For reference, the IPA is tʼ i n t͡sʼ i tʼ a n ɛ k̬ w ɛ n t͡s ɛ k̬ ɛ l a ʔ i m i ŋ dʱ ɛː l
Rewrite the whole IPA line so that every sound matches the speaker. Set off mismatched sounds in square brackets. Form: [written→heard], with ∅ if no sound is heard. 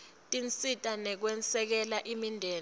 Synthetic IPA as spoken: tʼ i n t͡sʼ i tʼ a n ɛ k̬ w ɛ n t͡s ɛ k̬ ɛ l a ʔ i m i [ŋ→n] dʱ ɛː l